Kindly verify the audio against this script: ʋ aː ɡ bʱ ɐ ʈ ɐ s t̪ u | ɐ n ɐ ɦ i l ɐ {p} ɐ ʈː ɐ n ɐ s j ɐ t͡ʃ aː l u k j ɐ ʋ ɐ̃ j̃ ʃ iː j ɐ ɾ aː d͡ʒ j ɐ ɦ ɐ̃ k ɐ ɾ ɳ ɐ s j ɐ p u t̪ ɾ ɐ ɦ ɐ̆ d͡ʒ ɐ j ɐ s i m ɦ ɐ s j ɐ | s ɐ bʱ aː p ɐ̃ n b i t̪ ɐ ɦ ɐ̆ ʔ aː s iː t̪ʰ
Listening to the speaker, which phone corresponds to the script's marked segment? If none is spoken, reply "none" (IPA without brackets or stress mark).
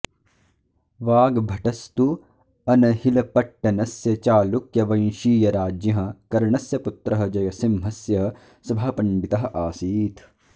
p